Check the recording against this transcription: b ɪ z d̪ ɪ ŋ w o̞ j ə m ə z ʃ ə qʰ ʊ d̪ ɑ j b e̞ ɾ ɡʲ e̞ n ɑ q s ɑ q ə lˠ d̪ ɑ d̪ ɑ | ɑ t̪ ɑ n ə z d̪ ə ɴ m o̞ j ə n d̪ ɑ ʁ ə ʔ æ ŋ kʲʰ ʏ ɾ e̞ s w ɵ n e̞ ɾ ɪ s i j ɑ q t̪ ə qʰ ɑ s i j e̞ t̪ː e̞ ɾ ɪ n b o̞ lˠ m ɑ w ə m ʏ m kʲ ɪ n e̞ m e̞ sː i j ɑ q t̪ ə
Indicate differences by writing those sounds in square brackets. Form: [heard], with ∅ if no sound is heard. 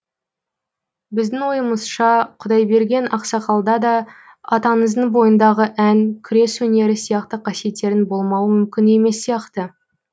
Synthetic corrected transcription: b ɪ z d̪ ɪ ŋ w o̞ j ə m ə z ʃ [ɑ] qʰ ʊ d̪ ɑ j b e̞ ɾ ɡʲ e̞ n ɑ q s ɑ q [ɑ] lˠ d̪ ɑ d̪ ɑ | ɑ t̪ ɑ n ə z d̪ ə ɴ [b] o̞ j ə n d̪ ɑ ʁ ə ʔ æ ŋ kʲʰ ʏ ɾ e̞ s w ɵ n e̞ ɾ ɪ s i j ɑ q t̪ ə qʰ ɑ s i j e̞ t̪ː e̞ ɾ ɪ n b o̞ lˠ m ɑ w ə m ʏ m kʲ ɪ n e̞ m e̞ sː i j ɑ q t̪ ə